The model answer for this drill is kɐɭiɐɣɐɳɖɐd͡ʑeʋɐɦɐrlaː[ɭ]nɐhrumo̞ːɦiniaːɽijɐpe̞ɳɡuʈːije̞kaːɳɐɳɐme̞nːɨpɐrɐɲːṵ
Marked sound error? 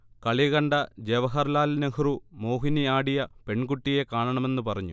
yes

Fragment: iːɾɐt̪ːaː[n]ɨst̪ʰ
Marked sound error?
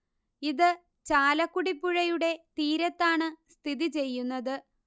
yes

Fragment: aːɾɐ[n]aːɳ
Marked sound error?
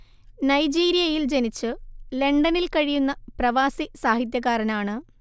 no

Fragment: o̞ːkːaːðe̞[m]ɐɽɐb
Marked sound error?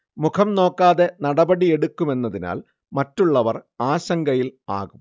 yes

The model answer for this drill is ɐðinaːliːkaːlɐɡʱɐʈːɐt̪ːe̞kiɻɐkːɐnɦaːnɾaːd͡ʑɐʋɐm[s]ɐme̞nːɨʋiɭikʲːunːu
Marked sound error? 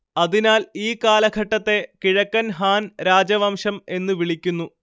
yes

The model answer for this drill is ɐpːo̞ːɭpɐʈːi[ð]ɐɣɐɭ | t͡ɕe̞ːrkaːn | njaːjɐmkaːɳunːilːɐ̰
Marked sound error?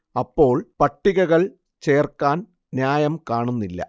yes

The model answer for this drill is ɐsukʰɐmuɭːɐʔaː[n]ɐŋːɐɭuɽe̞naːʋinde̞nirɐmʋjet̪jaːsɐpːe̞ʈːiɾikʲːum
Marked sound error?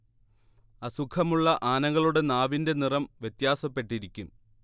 no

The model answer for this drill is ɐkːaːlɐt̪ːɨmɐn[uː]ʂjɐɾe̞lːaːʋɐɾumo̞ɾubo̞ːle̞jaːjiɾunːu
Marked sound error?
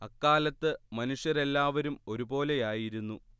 yes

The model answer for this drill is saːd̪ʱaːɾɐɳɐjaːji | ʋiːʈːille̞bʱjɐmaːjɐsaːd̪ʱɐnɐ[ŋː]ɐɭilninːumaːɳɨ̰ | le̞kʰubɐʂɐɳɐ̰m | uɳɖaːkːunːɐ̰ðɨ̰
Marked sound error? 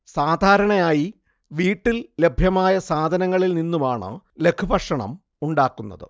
no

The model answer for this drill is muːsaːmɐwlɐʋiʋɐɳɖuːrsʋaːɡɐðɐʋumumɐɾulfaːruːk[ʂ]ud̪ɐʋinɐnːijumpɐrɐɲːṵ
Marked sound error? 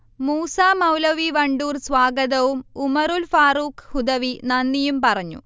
yes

